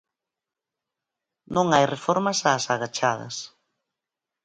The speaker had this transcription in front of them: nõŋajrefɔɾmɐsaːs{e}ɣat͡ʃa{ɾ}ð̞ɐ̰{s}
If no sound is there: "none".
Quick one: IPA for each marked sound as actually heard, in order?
a, none, s

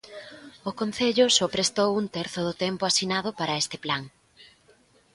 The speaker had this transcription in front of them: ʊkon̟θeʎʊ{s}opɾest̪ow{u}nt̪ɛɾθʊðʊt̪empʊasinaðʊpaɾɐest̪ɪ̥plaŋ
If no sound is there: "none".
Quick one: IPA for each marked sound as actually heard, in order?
s, u

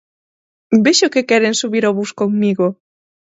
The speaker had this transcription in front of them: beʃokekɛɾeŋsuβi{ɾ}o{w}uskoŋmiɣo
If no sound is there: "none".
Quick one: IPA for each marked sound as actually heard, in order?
ɾ, β

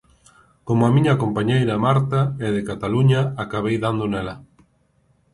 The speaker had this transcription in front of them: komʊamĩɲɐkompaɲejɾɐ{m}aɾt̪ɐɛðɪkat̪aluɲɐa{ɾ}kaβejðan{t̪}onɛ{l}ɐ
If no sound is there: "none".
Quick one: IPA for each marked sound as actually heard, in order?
m, none, d̪, l

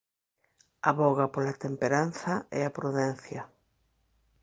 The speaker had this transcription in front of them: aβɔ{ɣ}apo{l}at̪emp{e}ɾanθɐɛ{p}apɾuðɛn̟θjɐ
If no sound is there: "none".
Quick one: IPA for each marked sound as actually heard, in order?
ɣ, l, e, none

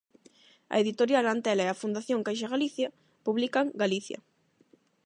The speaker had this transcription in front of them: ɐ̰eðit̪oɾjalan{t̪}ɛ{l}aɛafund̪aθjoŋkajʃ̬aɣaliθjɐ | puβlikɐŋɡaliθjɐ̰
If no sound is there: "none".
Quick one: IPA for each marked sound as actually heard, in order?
t̪, l

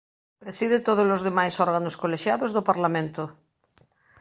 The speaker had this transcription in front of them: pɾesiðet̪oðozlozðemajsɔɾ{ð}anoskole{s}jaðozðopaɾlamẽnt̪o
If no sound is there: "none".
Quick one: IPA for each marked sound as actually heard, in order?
ɣ, ʃ

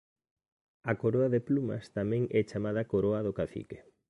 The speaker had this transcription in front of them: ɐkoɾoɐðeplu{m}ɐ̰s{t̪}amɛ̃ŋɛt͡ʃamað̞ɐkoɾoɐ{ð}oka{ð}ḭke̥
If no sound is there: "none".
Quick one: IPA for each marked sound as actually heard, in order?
m, t̪, ð, θ

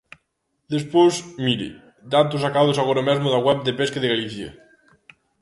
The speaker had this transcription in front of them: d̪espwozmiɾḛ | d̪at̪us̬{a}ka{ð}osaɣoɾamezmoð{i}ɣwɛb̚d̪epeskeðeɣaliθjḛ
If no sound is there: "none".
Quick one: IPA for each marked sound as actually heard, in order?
a, ð, a

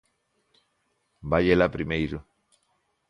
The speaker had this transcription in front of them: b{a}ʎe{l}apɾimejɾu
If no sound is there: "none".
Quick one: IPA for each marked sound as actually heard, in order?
a, l

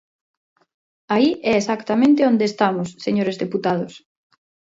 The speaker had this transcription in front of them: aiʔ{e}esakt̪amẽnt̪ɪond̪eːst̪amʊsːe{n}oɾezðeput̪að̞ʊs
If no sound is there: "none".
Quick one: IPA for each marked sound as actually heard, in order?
ɛ, ɲ

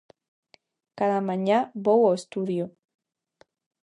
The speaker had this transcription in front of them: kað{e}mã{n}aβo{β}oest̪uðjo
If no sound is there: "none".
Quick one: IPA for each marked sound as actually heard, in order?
a, ɲ, w

